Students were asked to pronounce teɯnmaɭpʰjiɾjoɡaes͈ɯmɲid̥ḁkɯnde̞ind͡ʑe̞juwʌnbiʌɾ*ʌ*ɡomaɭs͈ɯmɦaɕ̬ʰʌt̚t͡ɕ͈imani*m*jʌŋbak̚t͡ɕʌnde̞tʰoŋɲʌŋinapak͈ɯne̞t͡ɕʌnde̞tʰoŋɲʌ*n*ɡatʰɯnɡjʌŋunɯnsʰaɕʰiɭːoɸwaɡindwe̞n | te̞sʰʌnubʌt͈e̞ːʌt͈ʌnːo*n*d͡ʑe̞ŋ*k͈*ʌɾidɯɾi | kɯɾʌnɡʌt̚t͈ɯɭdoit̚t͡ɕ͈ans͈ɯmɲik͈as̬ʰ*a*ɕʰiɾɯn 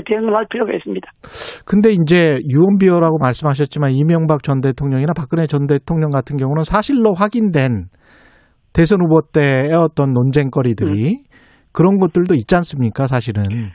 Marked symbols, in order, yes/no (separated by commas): no, yes, no, yes, yes, yes